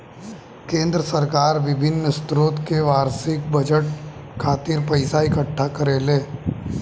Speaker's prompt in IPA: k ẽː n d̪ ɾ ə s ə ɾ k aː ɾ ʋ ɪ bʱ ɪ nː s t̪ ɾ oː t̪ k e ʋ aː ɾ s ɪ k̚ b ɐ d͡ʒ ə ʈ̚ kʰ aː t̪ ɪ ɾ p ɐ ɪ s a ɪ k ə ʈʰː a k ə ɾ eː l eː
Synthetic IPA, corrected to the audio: k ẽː n d̪ ɾ ə s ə ɾ k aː ɾ ʋ ɪ bʱ ɪ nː s t̪ ɾ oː t̪ k e ʋ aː ɾ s ɪ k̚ b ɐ d͡ʒ ə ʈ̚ kʰ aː t̪ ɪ ɾ p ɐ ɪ s a ɪ k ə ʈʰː a k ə ɾ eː l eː

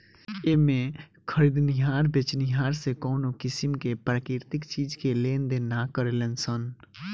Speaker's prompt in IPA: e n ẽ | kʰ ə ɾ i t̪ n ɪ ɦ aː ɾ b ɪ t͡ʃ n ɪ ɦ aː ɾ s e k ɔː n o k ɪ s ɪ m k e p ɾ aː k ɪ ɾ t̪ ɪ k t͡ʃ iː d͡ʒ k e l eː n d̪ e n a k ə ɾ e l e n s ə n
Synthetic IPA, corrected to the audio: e m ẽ | kʰ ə ɾ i d̪ n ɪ ɦ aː ɾ b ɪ t͡ʃ n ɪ ɦ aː ɾ s e k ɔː n o k ɪ s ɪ m k e p ɾ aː k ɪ ɾ t̪ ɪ k t͡ʃ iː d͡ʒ k e l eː n d̪ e n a k ə ɾ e l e n s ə n

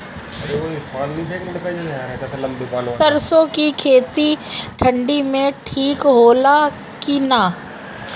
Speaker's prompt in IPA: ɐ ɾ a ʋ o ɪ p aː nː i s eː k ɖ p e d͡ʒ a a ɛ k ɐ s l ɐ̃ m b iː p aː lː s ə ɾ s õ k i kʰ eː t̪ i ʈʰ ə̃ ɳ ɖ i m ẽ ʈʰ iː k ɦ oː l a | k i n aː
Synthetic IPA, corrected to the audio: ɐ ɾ e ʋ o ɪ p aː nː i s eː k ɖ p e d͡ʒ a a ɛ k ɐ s l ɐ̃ m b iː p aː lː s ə ɾ s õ k i kʰ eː t̪ i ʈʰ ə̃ ɳ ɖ i m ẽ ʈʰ iː k ɦ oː l a | k i n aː

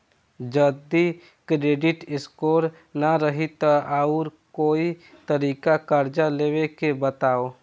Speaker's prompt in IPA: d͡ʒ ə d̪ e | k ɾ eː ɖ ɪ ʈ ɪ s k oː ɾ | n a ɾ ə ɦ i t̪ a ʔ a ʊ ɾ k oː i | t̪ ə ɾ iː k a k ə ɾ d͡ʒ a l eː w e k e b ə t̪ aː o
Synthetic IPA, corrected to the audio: d͡ʒ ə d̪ i | k ɾ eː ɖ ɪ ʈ ɪ s k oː ɾ | n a ɾ ə ɦ i t̪ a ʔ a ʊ ɾ k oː i | t̪ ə ɾ iː k a k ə ɾ d͡ʒ a l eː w e k e b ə t̪ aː o

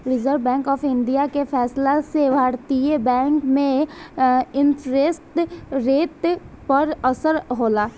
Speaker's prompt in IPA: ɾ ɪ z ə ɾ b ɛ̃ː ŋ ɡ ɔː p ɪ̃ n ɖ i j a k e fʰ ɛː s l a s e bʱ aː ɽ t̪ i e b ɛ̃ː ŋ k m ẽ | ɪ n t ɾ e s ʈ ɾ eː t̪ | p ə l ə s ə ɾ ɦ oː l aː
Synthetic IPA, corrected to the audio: ɾ ɪ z ə ɾ b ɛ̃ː ŋ k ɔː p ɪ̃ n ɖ i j a k e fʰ ɛː s l a s e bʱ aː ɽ t̪ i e b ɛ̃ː ŋ k m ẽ | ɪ n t ɾ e s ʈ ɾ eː t̪ | p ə ɾ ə s ə ɾ ɦ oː l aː

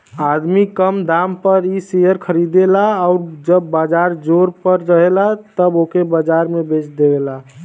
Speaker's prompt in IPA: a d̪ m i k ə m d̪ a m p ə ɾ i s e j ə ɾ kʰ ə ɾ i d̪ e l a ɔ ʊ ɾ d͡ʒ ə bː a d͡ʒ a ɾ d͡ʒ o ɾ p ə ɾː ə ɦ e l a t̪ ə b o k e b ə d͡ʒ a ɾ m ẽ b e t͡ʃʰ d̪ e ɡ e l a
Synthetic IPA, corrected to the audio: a d̪ m i k ə m d̪ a m p ə ɾ i s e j ə ɾ kʰ ə ɾ i d̪ e l a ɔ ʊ ɾ d͡ʒ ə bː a d͡ʒ a ɾ d͡ʒ o ɾ p ə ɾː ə ɦ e l a t̪ ə b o k e b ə d͡ʒ a ɾ m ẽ b e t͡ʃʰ d̪ e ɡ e l a

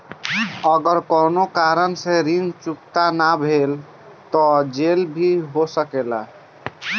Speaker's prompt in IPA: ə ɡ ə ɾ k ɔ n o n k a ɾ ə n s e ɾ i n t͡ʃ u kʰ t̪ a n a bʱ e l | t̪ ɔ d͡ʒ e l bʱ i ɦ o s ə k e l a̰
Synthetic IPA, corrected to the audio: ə ɡ ə ɾ k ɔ n o k a ɾ ə n s e ɾ i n t͡ʃ u k t̪ a n a bʱ e l | t̪ ɔ d͡ʒ e l bʱ i ɦ o s ə k e l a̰

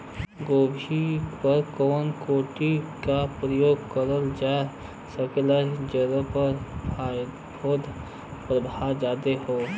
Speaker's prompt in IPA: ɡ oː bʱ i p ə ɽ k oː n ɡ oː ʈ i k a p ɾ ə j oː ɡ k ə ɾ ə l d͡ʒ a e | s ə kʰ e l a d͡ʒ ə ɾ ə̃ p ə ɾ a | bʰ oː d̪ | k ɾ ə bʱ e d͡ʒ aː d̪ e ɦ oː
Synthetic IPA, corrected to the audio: ɡ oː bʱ i p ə ɾ k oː n k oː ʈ i k a p ɾ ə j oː ɡ k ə ɾ ə l d͡ʒ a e | s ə k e l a d͡ʒ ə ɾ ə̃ p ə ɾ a | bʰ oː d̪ | p ɾ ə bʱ a d͡ʒ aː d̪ e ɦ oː

